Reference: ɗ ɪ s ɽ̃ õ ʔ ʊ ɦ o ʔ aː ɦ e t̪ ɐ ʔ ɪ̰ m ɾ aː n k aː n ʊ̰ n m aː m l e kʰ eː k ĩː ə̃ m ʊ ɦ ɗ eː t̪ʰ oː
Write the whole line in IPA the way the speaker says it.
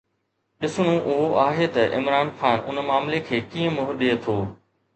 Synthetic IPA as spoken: ɗ ɪ s ɽ̃ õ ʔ ʊ ɦ o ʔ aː ɦ e t̪ ɐ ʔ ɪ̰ m ɾ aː n x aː n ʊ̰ n m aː m l e kʰ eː k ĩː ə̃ m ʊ ɦ ɗ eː t̪ʰ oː